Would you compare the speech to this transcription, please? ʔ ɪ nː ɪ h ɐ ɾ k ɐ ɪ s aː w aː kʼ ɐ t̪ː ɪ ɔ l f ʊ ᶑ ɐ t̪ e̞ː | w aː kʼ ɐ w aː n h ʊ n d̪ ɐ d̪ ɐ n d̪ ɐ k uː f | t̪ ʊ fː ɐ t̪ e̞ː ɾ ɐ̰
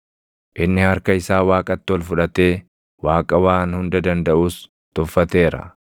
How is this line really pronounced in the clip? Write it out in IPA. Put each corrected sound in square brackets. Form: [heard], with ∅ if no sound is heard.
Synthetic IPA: ʔ ɪ nː ɪ h ɐ ɾ k ɐ ɪ s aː w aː kʼ ɐ t̪ː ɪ ɔ l f ʊ ᶑ ɐ t̪ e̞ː | w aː kʼ ɐ w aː n h ʊ n d̪ ɐ d̪ ɐ n d̪ ɐ [ʔ] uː [s] | t̪ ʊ fː ɐ t̪ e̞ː ɾ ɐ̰